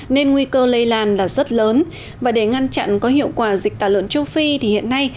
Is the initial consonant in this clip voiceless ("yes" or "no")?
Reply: no